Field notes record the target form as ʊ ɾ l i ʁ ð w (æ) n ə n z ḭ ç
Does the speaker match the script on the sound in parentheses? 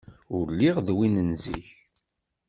no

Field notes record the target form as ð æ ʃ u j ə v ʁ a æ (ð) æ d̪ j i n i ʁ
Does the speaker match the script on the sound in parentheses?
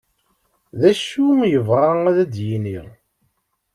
yes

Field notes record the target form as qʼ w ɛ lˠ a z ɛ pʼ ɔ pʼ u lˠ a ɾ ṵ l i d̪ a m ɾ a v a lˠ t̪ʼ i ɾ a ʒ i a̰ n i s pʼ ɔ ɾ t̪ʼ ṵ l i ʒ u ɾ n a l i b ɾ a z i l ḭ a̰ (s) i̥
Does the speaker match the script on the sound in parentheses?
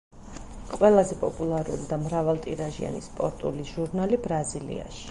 no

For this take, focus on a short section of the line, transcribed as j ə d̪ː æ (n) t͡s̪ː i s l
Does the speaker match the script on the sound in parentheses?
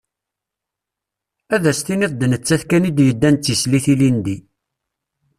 yes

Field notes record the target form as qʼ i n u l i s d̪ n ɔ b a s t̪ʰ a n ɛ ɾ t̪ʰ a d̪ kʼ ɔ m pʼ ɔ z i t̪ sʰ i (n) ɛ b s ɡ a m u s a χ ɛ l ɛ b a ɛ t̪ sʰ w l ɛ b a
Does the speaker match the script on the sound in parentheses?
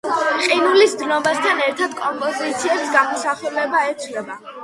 no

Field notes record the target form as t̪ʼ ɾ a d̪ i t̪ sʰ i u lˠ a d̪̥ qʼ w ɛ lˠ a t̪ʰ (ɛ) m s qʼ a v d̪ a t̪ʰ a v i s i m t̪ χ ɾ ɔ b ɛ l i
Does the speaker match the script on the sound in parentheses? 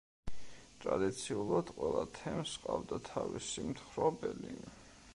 yes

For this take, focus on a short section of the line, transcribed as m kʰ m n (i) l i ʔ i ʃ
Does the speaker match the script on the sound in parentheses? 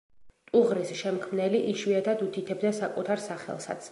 no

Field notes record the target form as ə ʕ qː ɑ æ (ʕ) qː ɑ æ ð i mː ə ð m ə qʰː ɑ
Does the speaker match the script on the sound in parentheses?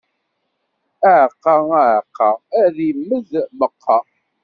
yes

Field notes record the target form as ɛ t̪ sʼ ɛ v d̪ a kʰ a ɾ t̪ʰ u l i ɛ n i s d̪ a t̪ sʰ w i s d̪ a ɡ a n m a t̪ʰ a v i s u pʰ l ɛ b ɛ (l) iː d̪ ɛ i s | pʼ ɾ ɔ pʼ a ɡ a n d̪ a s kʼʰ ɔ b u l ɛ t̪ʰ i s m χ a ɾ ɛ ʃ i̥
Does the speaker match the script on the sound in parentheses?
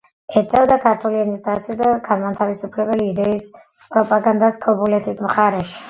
yes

